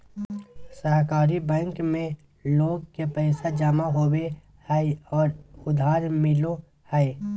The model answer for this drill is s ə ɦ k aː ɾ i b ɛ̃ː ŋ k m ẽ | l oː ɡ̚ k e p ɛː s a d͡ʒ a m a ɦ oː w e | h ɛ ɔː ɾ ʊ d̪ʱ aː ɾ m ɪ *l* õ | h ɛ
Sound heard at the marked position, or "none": l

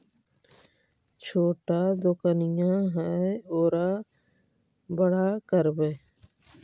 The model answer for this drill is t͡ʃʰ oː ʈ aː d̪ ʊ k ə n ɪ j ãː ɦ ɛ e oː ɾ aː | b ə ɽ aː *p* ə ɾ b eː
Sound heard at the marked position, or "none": k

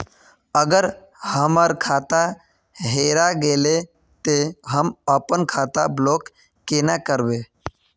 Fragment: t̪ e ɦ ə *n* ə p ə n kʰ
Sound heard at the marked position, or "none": m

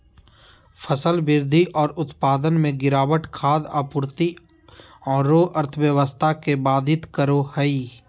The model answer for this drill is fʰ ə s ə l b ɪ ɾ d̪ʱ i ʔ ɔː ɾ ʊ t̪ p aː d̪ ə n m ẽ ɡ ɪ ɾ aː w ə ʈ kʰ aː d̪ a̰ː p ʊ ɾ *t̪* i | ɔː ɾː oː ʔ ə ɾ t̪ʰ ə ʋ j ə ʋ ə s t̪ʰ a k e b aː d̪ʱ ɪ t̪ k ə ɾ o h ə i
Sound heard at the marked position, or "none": t̪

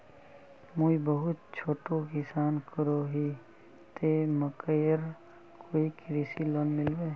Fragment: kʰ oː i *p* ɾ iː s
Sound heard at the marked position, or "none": k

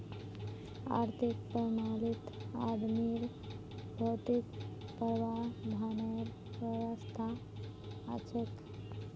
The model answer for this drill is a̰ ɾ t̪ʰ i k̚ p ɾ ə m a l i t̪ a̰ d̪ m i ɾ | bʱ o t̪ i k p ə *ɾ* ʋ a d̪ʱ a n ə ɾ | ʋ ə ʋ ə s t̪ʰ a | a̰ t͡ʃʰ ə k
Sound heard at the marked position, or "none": ɾ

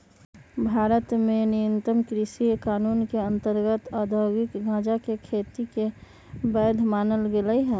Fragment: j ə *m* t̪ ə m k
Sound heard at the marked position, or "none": n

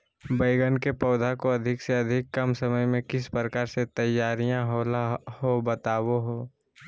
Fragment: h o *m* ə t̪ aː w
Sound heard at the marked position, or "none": b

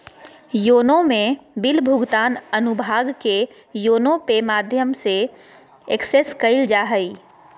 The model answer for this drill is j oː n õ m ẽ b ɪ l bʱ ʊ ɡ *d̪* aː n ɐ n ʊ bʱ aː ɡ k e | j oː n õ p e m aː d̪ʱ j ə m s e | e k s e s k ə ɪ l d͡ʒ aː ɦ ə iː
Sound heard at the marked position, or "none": t̪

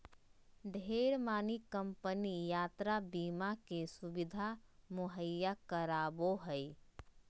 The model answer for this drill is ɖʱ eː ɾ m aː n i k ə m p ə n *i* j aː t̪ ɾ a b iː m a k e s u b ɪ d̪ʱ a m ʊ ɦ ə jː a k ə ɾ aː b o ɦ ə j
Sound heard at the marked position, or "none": i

